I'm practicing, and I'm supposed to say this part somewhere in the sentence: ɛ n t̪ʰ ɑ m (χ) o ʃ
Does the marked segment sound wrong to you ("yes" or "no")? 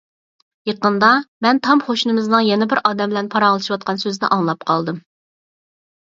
no